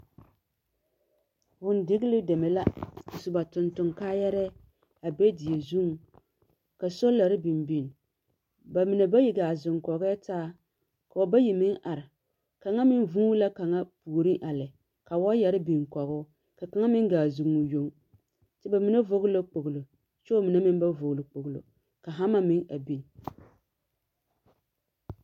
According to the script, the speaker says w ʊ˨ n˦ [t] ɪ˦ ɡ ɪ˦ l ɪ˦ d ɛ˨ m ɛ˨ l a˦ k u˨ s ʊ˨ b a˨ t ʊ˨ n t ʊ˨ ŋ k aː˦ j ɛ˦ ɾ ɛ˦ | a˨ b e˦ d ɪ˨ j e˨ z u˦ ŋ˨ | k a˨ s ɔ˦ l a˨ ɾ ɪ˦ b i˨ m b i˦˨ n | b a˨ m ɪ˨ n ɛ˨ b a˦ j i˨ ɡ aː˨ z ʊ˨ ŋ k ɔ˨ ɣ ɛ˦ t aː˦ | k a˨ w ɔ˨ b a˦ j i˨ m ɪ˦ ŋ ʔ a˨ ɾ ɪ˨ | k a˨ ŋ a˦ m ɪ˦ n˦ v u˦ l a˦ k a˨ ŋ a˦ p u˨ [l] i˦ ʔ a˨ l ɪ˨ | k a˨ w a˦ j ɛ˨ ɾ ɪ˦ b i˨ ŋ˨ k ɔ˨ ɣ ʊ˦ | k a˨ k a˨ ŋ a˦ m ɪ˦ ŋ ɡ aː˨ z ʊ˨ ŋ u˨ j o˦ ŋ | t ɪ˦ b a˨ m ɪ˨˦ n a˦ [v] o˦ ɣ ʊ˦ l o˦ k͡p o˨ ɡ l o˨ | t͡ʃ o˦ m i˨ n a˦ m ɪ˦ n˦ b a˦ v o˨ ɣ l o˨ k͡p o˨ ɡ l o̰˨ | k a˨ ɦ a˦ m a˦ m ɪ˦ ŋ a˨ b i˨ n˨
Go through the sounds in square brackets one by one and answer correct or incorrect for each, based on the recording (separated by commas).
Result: incorrect, incorrect, correct